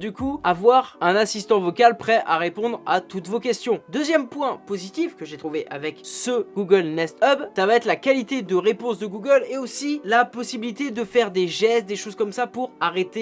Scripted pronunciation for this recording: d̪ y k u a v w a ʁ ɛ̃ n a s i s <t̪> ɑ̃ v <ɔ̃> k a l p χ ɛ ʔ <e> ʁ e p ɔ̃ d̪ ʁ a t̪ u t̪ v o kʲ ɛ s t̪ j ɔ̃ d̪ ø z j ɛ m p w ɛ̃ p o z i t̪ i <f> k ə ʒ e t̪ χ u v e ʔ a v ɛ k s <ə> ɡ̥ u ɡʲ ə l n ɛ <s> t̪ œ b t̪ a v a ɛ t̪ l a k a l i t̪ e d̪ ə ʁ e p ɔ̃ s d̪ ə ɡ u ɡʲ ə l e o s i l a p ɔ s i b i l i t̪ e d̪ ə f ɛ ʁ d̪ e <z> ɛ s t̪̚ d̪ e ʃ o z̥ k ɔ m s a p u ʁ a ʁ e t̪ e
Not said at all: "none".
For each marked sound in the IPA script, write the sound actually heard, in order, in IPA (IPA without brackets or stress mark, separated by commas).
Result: t̪, ɔ, a, f, ə, s, ʒ